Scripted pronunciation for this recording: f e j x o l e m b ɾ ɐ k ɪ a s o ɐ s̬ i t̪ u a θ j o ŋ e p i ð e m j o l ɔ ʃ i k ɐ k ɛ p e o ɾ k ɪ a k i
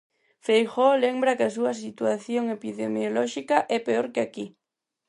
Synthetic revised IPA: f e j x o l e m b ɾ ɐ k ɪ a s u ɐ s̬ i t̪ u a θ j o ŋ e p i ð e m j o l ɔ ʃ i k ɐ ʔ ɛ p e o ɾ k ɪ a k i